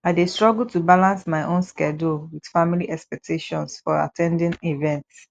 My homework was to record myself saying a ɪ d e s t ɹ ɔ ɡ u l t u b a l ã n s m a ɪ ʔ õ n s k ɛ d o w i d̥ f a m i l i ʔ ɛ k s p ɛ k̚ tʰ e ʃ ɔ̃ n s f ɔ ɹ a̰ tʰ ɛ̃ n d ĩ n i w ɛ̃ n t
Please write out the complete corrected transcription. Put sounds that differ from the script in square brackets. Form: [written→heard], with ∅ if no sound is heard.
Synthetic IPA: a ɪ d e s t ɹ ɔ ɡ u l t u b a l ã n s m a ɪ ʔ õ n s k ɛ d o w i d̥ f a m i l i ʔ ɛ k s p ɛ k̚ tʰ e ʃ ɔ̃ n s f ɔ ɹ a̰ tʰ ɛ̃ n d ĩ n i [w→v] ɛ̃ n t